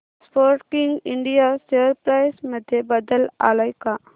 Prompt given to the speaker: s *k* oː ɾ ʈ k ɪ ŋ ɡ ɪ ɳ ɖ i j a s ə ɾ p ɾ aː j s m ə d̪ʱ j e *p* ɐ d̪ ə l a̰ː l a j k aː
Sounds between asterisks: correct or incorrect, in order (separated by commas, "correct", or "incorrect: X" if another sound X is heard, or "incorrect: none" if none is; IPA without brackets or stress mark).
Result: incorrect: p, incorrect: b